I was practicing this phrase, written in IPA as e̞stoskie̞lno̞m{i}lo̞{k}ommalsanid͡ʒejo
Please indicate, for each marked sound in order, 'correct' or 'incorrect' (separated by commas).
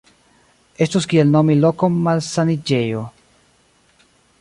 correct, correct